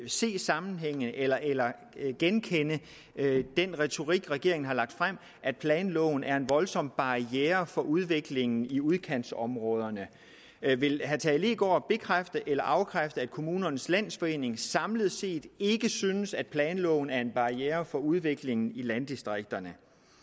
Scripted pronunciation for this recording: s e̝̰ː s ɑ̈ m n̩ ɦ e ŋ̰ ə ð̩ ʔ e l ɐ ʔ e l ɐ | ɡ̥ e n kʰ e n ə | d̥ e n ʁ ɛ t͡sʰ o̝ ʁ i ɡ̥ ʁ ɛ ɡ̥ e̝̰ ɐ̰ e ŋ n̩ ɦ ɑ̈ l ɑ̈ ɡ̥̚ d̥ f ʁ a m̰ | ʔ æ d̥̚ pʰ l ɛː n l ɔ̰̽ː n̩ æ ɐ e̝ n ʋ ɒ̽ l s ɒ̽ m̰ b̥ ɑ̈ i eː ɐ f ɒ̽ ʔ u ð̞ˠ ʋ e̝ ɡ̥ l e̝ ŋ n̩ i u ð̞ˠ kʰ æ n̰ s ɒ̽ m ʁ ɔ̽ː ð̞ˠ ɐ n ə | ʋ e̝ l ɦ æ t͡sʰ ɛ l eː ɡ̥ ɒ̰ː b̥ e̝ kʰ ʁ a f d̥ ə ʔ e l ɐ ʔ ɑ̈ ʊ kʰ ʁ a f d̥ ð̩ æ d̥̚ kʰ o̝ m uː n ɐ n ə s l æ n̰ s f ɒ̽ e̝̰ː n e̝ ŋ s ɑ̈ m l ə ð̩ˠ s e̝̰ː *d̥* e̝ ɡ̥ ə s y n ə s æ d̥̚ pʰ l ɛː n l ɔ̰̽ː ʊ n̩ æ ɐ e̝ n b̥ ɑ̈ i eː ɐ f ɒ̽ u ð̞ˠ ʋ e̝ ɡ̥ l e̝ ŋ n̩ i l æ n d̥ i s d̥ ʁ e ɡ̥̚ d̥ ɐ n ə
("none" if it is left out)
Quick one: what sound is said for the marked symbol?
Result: d̥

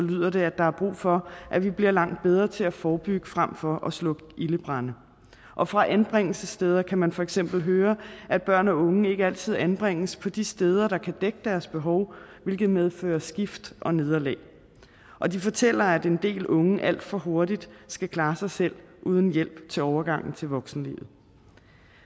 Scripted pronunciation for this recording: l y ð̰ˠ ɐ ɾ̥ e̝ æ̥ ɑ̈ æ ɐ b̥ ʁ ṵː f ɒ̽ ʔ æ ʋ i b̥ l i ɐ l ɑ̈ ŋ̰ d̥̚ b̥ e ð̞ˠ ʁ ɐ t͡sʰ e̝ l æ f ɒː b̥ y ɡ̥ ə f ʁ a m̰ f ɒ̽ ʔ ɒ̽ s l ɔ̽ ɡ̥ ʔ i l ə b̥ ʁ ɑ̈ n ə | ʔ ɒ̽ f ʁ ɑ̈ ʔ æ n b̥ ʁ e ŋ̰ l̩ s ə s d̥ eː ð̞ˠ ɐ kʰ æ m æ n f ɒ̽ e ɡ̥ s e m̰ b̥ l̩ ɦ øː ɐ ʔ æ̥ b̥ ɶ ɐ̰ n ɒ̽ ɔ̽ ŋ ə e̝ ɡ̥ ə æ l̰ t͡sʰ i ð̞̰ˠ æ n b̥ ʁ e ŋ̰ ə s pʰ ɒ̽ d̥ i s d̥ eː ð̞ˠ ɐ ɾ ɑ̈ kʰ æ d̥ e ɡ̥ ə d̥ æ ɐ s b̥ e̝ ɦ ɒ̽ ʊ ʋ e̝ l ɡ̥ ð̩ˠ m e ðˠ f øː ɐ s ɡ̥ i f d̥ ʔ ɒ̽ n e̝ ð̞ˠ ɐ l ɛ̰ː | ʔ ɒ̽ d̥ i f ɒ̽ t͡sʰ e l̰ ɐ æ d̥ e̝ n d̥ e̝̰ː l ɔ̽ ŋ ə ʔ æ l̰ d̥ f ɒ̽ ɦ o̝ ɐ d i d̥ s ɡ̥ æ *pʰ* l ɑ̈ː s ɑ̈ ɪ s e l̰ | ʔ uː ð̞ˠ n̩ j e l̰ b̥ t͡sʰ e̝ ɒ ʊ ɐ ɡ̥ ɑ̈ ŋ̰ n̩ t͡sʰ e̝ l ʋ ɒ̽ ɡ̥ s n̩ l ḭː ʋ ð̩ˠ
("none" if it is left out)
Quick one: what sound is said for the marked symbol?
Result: kʰ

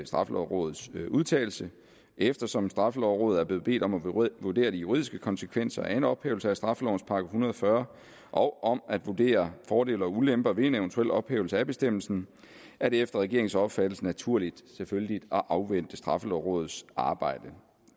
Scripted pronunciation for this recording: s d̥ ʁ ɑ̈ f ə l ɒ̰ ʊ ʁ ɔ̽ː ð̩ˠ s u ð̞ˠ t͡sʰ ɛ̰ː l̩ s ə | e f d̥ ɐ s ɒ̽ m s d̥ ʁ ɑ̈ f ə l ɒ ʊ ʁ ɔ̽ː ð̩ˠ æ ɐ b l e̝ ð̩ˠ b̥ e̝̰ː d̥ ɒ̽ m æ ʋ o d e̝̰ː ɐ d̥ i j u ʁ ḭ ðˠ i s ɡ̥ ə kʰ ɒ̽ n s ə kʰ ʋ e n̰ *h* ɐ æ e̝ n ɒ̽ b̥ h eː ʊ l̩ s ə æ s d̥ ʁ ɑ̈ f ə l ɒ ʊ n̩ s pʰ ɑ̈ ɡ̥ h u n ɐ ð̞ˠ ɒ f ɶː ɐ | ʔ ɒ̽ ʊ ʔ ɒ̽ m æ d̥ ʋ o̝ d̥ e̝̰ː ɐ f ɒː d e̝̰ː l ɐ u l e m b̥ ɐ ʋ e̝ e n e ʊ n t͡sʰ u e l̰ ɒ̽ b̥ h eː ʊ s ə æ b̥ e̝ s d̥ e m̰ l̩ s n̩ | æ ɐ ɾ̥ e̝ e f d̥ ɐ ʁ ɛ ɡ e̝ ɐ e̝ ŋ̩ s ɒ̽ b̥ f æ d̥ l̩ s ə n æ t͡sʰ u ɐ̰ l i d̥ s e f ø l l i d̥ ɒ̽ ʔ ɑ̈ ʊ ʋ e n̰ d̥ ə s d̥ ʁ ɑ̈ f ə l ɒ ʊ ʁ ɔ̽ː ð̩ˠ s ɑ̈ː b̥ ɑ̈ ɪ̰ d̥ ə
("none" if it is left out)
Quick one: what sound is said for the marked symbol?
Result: s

